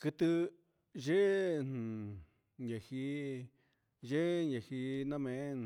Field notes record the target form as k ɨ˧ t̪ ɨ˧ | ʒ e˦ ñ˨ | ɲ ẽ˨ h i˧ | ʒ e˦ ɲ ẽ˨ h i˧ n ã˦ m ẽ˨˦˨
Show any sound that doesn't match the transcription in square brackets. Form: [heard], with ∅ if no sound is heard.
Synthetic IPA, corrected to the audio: k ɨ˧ t̪ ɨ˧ | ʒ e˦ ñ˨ | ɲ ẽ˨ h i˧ | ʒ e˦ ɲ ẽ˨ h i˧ n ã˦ m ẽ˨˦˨